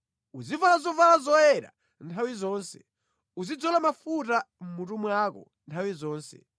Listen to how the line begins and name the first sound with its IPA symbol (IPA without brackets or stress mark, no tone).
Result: u